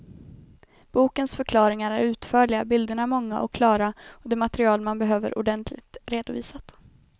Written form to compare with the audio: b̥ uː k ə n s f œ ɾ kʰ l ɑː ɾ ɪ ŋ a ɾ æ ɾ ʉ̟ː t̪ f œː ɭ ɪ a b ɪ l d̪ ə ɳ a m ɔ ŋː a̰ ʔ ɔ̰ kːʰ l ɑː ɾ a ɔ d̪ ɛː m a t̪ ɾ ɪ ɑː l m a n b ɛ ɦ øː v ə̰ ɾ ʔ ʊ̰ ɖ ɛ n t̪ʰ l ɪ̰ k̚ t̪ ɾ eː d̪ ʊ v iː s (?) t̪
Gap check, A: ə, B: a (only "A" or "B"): B